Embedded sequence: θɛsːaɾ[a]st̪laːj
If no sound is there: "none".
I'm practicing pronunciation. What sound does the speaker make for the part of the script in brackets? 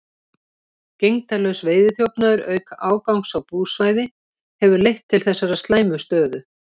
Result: a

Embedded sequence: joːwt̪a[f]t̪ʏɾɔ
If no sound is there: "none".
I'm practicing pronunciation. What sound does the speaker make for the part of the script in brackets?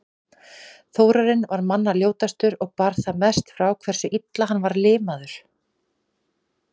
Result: s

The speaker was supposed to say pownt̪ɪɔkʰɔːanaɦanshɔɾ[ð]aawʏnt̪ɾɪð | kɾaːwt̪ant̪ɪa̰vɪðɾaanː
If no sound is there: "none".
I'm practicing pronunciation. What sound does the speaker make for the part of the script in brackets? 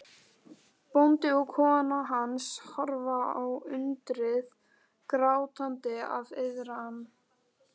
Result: v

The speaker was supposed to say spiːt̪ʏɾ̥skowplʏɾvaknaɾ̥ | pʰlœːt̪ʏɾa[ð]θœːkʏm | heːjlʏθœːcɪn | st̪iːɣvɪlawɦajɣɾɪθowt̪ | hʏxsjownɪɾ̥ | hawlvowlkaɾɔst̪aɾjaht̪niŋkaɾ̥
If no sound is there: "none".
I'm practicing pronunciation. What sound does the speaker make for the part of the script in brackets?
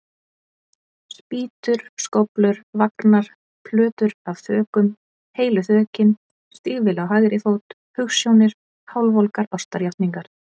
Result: v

